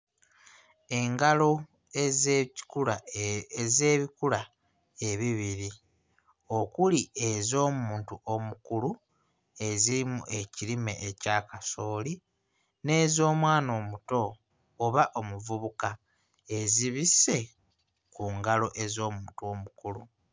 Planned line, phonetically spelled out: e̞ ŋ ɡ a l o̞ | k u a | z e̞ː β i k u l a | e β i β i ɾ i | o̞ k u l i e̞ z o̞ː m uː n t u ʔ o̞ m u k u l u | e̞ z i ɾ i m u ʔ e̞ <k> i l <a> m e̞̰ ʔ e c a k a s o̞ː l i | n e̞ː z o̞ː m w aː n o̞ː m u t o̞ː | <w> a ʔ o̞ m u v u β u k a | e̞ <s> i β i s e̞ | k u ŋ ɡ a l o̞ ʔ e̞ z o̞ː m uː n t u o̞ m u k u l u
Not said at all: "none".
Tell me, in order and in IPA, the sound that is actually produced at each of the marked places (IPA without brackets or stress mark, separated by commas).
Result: c, i, β, z